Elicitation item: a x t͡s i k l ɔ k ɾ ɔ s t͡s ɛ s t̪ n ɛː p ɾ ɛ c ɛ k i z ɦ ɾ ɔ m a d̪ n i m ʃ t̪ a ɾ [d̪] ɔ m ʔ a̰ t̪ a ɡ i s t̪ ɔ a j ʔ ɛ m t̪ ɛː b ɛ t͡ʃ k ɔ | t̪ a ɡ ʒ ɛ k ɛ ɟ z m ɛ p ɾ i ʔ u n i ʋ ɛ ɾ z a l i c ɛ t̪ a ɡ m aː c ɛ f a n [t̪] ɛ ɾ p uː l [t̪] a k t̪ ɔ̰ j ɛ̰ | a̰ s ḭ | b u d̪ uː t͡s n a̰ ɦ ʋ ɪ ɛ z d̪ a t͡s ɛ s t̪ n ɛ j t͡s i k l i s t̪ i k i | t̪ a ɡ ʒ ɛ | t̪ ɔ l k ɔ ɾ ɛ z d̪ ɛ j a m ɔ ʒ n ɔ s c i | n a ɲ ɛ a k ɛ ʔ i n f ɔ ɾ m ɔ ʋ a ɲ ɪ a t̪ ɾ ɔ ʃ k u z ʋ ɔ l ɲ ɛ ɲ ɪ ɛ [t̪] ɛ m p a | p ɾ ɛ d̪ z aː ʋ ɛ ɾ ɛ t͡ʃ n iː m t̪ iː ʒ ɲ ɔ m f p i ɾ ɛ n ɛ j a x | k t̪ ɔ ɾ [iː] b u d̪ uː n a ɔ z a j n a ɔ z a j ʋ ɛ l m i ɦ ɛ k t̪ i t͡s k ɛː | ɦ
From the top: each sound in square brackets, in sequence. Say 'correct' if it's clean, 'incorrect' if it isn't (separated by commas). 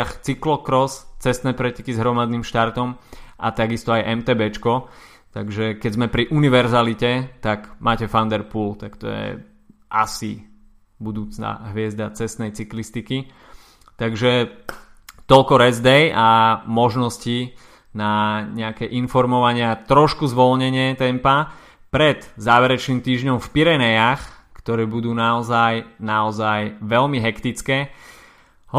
incorrect, incorrect, correct, correct, incorrect